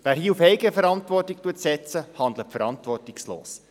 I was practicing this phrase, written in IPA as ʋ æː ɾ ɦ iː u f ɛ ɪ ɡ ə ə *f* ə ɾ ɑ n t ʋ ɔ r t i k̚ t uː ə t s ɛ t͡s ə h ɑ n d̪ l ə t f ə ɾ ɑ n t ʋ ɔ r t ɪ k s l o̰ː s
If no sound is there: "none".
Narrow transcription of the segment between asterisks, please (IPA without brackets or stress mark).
f